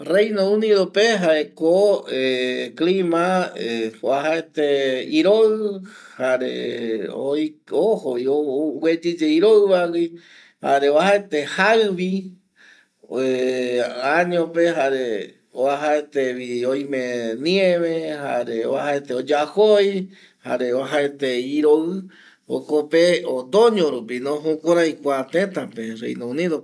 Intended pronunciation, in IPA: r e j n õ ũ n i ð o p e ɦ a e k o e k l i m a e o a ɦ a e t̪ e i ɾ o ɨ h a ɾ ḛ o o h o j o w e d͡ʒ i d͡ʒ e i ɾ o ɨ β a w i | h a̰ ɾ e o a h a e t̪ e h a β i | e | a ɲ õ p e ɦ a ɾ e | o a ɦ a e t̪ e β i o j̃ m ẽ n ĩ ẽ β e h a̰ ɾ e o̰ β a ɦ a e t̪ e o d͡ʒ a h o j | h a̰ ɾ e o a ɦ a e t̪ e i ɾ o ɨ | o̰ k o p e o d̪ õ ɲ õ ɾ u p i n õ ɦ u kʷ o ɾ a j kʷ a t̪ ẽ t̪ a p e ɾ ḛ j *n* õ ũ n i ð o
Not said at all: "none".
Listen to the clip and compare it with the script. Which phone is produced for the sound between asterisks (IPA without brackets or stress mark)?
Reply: n